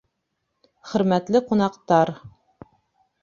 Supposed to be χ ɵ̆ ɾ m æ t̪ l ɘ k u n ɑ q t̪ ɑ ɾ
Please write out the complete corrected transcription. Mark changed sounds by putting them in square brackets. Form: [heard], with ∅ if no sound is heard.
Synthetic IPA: χ ɵ̆ ɾ m æ t̪ l ɘ [q] u n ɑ q t̪ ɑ ɾ